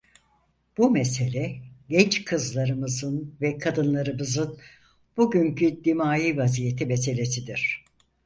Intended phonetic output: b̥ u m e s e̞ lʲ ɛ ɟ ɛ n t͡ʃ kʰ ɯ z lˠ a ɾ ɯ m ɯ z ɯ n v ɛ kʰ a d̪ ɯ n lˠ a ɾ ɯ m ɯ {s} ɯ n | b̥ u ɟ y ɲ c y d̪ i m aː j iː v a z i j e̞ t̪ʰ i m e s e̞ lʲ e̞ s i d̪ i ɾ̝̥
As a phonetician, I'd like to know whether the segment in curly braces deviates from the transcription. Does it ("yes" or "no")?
yes